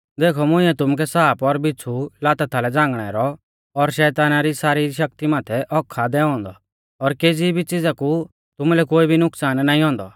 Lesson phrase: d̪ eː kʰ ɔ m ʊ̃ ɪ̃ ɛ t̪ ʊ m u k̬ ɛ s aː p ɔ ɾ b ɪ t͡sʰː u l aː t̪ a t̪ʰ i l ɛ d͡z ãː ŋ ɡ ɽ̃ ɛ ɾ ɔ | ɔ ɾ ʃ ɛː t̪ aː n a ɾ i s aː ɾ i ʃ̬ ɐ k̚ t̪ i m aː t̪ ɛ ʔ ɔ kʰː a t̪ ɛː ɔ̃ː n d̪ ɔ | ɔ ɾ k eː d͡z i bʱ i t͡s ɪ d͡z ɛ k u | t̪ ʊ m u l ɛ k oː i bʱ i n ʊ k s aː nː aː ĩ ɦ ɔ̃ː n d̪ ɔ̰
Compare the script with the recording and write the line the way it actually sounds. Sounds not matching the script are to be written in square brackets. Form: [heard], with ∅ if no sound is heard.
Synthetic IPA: d̪ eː kʰ ɔ m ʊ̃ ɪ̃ ɛ t̪ ʊ m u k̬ ɛ s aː p ɔ ɾ b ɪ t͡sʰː u l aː t̪ a t̪ʰ [a] l ɛ d͡z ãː ŋ ɡ ɽ̃ ɛ ɾ ɔ | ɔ ɾ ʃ ɛː t̪ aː n a ɾ i s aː ɾ i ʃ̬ ɐ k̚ t̪ i m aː [t̪ʰ] ɛ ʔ ɔ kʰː a [d̪] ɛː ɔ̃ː n d̪ ɔ | ɔ ɾ k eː d͡z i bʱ i t͡s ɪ d͡z [a] k u | t̪ ʊ m u l ɛ k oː i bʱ i n ʊ k s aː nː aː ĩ ɦ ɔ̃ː n d̪ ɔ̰